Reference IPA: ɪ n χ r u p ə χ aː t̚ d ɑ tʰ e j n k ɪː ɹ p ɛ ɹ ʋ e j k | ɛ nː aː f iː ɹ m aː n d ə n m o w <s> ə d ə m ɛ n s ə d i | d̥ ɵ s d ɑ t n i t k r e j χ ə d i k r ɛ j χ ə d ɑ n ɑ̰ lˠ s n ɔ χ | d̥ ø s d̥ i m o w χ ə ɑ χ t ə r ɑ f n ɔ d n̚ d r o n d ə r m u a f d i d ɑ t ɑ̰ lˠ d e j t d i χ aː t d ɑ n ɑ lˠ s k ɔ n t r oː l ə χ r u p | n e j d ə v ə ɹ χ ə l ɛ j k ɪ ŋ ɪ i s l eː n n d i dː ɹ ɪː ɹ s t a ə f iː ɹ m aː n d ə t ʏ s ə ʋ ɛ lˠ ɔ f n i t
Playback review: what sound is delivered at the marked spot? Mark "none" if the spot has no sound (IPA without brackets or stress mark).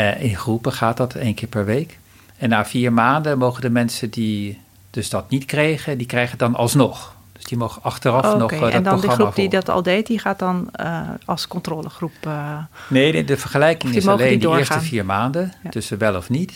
χ